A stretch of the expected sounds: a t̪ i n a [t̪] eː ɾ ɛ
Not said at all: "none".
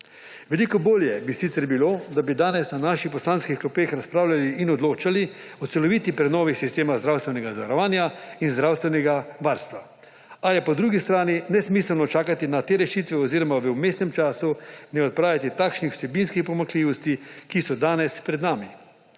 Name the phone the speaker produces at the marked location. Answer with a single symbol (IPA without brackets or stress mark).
t̪